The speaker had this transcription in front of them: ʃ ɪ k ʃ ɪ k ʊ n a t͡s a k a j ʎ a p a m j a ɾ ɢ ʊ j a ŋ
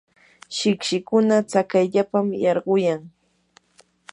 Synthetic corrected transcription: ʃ ɪ k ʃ ɪ k ʊ n a t͡s a k a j ʎ a p a m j ɑ ɾ ɢ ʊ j a ŋ